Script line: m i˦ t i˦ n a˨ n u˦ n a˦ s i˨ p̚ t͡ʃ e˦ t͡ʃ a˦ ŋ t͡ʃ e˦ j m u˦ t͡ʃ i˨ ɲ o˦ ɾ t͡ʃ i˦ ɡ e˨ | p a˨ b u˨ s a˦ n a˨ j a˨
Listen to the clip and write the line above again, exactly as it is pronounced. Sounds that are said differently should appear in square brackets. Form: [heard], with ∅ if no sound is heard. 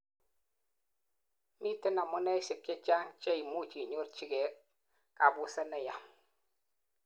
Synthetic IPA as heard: m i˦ t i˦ n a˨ [m] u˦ n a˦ s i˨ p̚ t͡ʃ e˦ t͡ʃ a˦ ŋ t͡ʃ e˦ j m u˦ t͡ʃ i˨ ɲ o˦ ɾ t͡ʃ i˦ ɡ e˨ | [k] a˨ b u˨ s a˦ n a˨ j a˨